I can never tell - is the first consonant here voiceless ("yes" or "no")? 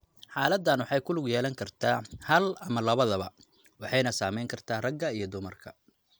yes